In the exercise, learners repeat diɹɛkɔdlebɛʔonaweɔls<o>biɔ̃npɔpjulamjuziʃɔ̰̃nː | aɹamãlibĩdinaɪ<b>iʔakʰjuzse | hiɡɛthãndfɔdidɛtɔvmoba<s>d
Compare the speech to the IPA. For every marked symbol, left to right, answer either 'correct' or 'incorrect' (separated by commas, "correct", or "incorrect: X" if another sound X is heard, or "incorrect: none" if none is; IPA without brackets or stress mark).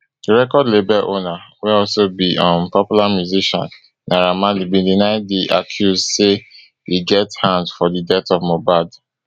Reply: correct, incorrect: d, incorrect: none